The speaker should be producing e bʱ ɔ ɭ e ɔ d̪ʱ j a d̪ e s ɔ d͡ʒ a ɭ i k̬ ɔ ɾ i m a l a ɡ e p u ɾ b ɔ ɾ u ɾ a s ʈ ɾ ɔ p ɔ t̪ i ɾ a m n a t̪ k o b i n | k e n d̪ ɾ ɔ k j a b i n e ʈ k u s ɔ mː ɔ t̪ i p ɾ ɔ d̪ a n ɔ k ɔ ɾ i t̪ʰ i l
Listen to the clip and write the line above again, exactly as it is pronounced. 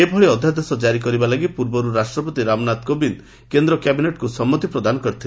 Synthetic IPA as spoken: e bʱ ɔ ɭ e ɔ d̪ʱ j a d̪ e s ɔ d͡ʒ a ɾ i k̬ ɔ ɾ i b a l a ɡ i p u ɾ b ɔ ɾ u ɾ a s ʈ ɾ ɔ p ɔ t̪ i ɾ a m n a t̪ k o b i n | k e n d̪ ɾ ɔ k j a b i n e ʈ k u s ɔ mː ɔ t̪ i p ɾ ɔ d̪ a n ɔ k ɔ ɾ i t̪ʰ i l

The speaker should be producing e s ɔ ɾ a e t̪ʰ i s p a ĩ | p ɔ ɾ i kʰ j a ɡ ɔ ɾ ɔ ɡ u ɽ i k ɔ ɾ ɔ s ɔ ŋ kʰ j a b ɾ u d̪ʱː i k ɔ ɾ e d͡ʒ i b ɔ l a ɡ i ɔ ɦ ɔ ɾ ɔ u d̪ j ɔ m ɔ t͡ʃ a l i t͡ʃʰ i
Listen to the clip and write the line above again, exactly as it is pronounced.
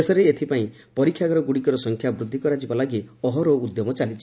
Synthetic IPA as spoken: e s ɔ ɾ e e t̪ʰ i p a ĩ | p ɔ ɾ i kʰ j a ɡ ɔ ɾ ɔ ɡ u ɽ i k ɔ ɾ ɔ s ɔ ŋ kʰ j a b ɾ u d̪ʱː i k ɔ ɾ a d͡ʒ i b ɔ l a ɡ i ɔ ɦ ɔ ɾ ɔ u d̪ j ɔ m ɔ t͡ʃ a l i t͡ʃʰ i

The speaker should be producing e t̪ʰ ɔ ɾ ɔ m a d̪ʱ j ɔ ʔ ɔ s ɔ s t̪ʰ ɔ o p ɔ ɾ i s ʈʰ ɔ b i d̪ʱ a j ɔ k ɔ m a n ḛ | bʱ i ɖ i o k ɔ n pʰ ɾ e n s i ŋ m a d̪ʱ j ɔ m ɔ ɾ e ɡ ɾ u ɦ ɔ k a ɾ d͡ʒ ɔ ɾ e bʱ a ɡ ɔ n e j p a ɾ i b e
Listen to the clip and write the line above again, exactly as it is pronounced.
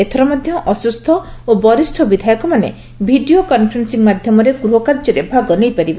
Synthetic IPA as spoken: e t̪ʰ ɔ ɾ ɔ m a d̪ʱ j ɔ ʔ ɔ s u s t̪ʰ ɔ o b ɔ ɾ i s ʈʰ ɔ b i d̪ʱ a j ɔ k ɔ m a n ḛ | bʱ i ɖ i o k ɔ n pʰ ɾ e n s i ŋ m a d̪ʱ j ɔ m ɔ ɾ e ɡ ɾ u ɦ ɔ k a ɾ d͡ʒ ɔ ɾ e bʱ a ɡ ɔ n e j p a ɾ i b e

